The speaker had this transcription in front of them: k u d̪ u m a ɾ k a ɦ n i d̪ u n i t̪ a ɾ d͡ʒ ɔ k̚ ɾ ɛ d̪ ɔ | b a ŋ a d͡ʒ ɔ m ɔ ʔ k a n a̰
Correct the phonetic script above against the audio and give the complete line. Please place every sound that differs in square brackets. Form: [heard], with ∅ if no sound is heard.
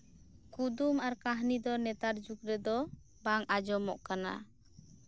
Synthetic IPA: k u d̪ u m a ɾ k a ɦ n i d̪ [ɔ] n [ɛ] t̪ a ɾ d͡ʒ [u] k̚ ɾ ɛ d̪ ɔ | b a ŋ a d͡ʒ ɔ m ɔ ʔ k a n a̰